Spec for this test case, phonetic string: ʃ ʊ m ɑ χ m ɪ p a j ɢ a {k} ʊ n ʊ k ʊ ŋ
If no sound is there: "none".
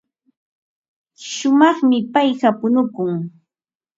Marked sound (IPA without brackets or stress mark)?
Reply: p